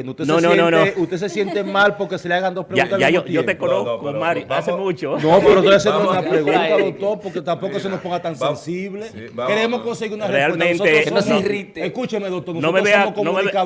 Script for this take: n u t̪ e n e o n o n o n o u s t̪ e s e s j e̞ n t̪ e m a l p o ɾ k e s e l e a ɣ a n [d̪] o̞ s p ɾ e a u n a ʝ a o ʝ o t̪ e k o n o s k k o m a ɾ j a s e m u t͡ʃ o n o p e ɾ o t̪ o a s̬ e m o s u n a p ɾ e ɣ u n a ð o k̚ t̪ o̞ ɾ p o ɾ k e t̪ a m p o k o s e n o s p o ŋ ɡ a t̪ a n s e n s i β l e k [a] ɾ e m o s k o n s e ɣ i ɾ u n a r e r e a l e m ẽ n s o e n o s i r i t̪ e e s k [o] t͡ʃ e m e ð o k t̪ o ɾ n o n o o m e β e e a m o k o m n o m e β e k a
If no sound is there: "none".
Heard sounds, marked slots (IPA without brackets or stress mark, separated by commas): d̪, e, u